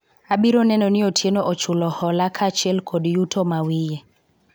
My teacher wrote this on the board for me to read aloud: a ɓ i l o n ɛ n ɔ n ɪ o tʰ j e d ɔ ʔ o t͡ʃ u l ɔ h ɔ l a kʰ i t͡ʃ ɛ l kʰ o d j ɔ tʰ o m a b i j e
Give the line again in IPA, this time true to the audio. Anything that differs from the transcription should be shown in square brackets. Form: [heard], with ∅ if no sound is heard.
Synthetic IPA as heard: a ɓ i [ɾ] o n ɛ n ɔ n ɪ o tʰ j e [n] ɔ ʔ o t͡ʃ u l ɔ h ɔ l a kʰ [a] t͡ʃ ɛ l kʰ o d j [u] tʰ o m a [w] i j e